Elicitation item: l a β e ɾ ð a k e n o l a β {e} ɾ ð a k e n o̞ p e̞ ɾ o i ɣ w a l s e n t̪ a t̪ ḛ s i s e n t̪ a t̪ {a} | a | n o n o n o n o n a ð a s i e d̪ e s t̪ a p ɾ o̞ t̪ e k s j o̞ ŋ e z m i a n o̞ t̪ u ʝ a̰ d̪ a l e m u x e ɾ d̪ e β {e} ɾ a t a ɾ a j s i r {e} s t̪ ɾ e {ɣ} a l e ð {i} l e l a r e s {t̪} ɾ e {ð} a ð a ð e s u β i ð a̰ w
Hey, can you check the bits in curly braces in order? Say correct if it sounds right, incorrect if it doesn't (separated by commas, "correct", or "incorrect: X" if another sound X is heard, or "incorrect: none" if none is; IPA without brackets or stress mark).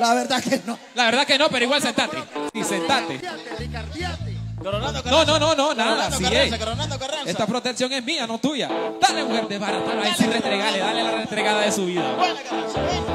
correct, incorrect: e, incorrect: a, correct, correct, incorrect: a, correct, incorrect: ɣ